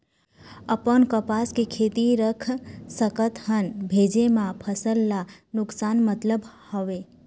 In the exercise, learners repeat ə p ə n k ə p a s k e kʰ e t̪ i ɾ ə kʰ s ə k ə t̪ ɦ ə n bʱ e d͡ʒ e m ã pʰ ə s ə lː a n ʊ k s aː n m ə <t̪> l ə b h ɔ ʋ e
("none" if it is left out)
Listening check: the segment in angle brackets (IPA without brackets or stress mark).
t̪